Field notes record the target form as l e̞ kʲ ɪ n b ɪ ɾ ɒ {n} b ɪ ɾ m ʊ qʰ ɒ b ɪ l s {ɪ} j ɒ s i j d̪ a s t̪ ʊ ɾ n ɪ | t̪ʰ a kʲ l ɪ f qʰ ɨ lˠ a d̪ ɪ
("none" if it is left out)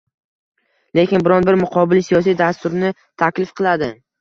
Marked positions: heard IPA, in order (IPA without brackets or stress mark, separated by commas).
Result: n, i